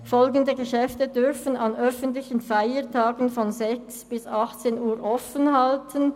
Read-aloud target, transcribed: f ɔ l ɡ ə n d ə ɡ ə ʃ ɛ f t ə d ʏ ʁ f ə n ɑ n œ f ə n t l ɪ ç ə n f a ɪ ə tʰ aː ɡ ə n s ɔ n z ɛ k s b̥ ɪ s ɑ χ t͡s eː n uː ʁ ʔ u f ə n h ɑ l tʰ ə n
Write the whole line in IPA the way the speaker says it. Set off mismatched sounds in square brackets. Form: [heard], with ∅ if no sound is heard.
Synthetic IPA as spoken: f ɔ l ɡ ə n d ə ɡ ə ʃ ɛ f t ə d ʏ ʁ f ə n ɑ n œ f ə n t l ɪ ç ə n f a ɪ ə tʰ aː ɡ ə n [f] ɔ n z ɛ k s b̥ ɪ s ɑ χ t͡s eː n uː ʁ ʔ [ɔ] f ə n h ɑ l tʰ ə n